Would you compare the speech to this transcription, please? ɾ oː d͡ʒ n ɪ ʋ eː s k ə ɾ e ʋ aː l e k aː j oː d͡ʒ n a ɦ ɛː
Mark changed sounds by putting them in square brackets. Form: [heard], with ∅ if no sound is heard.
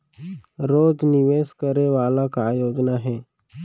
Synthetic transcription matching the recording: ɾ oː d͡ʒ n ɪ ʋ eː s k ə ɾ e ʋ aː l [a] k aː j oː d͡ʒ n a ɦ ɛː